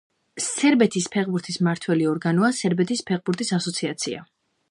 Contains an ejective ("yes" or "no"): no